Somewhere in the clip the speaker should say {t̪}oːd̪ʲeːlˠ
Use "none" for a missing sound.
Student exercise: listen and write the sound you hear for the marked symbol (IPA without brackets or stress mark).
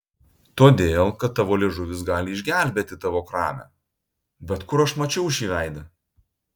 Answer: t̪